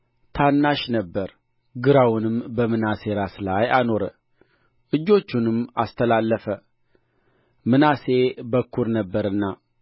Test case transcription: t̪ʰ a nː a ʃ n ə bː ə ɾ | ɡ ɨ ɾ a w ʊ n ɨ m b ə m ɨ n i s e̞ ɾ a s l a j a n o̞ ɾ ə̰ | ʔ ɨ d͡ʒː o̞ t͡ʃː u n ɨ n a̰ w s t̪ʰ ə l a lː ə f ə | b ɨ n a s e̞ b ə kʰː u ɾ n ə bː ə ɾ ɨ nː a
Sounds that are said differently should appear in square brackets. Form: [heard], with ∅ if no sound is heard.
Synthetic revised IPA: t̪ʰ a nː a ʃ n ə bː ə ɾ | ɡ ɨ ɾ a w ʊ n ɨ m b ə m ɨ n [a] s e̞ ɾ a s l a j a n o̞ ɾ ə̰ | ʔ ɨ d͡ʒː o̞ t͡ʃː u n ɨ [m] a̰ [∅] s t̪ʰ ə l a lː ə f ə | [m] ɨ n a s e̞ b ə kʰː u ɾ n ə bː ə ɾ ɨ nː a